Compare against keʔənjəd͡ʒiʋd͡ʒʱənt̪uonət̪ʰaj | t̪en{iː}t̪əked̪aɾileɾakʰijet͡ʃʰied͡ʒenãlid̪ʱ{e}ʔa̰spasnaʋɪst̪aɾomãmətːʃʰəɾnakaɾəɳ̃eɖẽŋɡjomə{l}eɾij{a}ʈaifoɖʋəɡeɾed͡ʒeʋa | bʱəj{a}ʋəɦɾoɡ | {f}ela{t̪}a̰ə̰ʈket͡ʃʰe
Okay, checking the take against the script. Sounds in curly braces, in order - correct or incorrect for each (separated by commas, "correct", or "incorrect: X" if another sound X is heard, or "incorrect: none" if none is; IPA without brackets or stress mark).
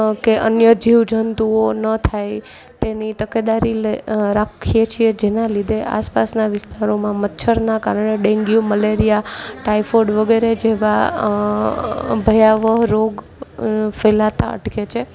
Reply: incorrect: i, correct, correct, correct, correct, correct, correct